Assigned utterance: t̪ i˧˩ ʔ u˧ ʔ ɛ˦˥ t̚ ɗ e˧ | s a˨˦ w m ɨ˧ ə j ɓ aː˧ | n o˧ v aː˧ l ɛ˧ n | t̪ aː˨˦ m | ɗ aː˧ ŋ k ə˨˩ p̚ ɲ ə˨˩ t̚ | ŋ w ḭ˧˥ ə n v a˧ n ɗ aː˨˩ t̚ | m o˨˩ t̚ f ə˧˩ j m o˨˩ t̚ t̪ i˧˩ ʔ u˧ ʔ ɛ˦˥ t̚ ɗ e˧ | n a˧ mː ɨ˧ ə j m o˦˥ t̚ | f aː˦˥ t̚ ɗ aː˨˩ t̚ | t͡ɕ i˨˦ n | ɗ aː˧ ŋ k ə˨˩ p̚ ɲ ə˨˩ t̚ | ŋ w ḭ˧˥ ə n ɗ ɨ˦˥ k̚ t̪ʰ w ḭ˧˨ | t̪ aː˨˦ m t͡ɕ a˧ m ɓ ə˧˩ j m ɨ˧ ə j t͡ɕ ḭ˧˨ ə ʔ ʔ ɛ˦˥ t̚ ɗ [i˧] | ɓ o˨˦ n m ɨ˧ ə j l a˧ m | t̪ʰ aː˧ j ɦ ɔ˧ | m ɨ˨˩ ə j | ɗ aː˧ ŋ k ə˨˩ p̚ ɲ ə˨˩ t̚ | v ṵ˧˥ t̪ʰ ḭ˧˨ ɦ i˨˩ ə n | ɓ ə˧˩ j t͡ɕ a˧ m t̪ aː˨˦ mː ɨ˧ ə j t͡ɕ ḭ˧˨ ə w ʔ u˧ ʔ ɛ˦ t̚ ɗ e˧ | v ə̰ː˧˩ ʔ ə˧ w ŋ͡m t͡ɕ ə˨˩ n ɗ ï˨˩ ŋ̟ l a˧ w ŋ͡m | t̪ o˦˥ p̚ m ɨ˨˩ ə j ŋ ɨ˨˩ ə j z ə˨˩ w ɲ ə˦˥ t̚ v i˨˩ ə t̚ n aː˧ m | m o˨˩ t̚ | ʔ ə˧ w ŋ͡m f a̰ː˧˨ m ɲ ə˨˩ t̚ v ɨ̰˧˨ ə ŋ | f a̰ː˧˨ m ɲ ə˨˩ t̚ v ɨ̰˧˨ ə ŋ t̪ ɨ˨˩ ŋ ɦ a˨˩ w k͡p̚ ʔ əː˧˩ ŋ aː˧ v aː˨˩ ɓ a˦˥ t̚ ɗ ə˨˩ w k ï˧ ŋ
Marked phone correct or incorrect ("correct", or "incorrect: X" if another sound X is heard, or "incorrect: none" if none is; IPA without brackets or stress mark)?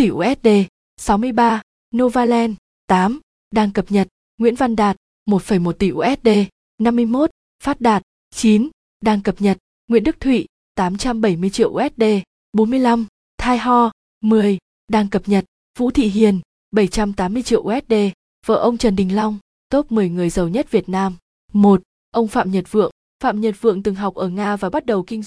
incorrect: e˧